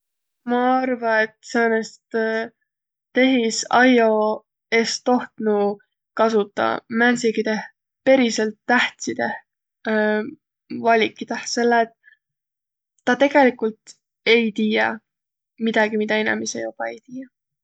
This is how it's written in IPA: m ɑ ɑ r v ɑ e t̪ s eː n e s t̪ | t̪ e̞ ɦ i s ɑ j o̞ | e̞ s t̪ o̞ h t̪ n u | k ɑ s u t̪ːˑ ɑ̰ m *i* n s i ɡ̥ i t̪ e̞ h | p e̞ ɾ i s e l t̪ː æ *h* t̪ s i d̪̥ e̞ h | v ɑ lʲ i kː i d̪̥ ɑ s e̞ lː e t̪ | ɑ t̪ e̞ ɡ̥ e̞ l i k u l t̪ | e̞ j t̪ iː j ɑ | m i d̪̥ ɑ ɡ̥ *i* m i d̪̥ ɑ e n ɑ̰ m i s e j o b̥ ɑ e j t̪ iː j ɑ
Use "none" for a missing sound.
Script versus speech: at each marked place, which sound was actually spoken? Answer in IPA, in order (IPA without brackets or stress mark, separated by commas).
æ, h, i